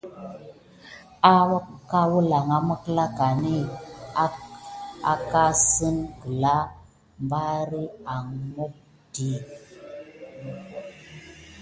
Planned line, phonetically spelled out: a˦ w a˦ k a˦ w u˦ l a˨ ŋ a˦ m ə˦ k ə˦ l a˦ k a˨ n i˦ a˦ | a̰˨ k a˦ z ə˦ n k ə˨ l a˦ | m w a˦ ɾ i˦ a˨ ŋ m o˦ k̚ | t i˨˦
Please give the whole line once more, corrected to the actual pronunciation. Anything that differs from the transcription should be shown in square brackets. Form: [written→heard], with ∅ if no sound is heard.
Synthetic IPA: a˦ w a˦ k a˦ w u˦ l a˨ ŋ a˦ m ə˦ k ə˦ l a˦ k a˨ n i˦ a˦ | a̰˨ k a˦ [z→s] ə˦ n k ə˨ l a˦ | m [w→b] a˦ ɾ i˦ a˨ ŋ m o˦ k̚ | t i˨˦